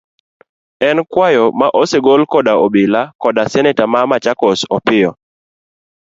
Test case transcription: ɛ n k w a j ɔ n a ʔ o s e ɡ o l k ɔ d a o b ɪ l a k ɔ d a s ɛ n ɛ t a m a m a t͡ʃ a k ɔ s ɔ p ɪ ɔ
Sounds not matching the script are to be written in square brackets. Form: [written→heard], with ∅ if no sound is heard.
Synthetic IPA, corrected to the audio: ɛ n k w a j ɔ [n→m] a ʔ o s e ɡ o l k ɔ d a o b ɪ l a k ɔ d a s ɛ n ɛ t a m a m a t͡ʃ a k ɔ s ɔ p ɪ ɔ